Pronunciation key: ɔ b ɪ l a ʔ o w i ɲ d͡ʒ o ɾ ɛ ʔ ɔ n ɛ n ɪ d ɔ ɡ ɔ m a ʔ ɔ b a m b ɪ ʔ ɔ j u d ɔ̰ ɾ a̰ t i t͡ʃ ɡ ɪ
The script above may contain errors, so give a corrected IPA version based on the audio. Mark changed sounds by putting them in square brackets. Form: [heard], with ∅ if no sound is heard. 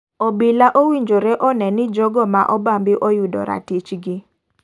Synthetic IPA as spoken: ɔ b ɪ l a ʔ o w i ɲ d͡ʒ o ɾ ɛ ʔ ɔ n ɛ n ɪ [d͡ʒ] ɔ ɡ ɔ m a ʔ ɔ b a m b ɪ ʔ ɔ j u d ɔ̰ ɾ a̰ t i t͡ʃ ɡ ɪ